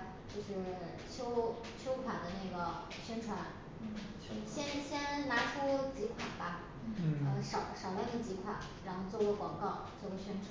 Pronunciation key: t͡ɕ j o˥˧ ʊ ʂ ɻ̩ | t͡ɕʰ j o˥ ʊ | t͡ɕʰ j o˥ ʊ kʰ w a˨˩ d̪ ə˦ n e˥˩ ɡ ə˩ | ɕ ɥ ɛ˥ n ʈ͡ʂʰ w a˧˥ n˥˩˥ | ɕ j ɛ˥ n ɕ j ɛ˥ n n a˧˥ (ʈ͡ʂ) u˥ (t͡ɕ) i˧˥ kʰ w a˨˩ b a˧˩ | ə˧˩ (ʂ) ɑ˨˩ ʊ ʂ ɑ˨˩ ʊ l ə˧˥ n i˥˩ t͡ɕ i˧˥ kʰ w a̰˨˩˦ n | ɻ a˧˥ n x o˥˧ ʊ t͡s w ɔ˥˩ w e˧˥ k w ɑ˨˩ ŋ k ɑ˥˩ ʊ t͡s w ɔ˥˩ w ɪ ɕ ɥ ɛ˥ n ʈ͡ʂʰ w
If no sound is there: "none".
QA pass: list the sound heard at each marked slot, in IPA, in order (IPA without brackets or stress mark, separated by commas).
ʈ͡ʂʰ, t͡ɕ, ʂ